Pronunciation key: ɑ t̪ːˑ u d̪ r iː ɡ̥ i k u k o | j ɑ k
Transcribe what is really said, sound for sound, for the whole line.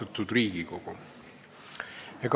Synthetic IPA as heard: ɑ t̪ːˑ u d̪ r iː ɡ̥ i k o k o | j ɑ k